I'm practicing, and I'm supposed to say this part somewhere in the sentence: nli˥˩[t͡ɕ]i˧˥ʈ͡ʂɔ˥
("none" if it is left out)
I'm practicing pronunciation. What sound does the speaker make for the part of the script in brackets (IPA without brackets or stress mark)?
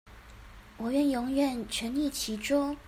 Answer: t͡ɕʰ